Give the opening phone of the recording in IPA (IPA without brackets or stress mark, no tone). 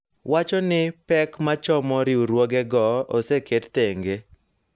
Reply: w